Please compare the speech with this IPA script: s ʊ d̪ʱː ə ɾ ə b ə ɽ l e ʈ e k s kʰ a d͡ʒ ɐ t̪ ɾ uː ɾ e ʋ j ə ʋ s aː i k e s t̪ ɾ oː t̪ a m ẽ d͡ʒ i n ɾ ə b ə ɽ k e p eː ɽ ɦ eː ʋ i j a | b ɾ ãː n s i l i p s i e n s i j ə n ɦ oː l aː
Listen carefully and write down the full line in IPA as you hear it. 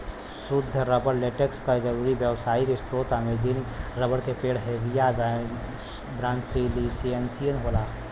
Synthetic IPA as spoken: s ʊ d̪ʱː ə ɾ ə b ə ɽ l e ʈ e k s k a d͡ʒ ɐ ɾ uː ɾ i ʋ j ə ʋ s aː i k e s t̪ ɾ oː t̪ a m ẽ d͡ʒ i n ɾ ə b ə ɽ k e p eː ɽ ɦ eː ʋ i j a | b ɾ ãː n s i l i s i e n s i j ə n ɦ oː l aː